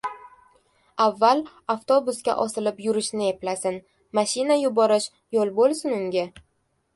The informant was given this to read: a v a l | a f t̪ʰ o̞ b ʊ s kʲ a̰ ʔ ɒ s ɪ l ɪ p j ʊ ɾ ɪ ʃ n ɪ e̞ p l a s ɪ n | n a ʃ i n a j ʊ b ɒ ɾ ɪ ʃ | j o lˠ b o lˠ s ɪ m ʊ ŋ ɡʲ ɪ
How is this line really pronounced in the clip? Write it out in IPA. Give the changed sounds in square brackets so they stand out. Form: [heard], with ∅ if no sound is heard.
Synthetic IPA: a [vː] a l | a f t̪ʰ o̞ b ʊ s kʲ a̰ ʔ ɒ s ɪ l ɪ p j ʊ ɾ ɪ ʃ n ɪ e̞ p l a s ɪ n | [m] a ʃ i n a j ʊ b ɒ ɾ ɪ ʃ | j o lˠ b o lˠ s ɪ [n] ʊ ŋ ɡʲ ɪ